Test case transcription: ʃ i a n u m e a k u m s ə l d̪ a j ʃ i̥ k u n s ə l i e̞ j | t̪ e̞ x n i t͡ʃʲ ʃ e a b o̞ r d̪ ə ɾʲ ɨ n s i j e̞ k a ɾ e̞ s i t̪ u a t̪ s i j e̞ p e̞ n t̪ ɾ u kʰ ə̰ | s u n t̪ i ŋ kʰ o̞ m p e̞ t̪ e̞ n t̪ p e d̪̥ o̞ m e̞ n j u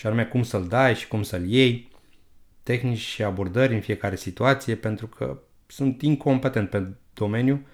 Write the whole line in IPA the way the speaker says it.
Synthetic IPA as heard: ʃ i a n u m e a k u m s ə l d̪ a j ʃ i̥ k u m s ə l j e̞ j | t̪ e̞ x n i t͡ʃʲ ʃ i a b o̞ r d̪ ə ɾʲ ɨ n f i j e̞ k a ɾ e̞ s i t̪ u a t̪ s i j e̞ p e̞ n t̪ ɾ u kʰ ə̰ | s u n t̪ i ŋ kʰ o̞ m p e̞ t̪ e̞ n t̪ p e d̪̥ o̞ m e̞ n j u